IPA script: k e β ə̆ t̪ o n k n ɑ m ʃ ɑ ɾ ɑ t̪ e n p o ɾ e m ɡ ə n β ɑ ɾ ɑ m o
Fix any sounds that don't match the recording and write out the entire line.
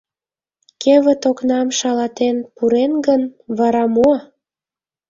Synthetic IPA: k e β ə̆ t̪ o k n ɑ m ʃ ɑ l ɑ t̪ e n p u ɾ e n ɡ ə n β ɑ ɾ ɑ m o